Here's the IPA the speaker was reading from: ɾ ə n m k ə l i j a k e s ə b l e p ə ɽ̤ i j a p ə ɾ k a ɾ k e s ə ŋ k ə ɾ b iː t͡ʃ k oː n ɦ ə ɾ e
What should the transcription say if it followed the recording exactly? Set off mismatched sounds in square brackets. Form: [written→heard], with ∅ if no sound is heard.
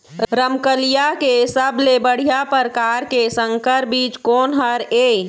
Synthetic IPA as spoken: ɾ ə [n→∅] m k ə l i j a k e s ə b l e [p→b] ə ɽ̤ i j a p ə ɾ k a ɾ k e s ə ŋ k ə ɾ b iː t͡ʃ k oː n ɦ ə ɾ e